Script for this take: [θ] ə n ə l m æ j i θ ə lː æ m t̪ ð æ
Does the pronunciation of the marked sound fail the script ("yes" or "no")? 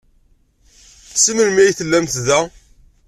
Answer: yes